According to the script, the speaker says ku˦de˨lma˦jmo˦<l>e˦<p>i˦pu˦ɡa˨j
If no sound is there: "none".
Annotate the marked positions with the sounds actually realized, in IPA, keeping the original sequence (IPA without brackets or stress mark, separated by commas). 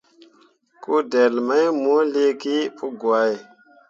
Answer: l, k